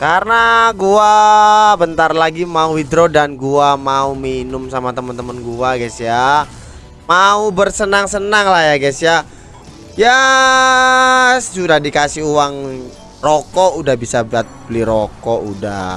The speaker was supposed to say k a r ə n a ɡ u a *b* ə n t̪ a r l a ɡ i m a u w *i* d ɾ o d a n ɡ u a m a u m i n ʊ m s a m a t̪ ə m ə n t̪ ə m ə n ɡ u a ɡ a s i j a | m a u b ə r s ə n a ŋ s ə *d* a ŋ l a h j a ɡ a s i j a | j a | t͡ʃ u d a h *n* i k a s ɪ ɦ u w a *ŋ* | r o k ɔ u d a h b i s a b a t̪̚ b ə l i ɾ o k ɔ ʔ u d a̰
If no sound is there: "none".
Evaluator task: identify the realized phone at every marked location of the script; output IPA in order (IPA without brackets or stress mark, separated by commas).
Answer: b, i, n, d, ŋ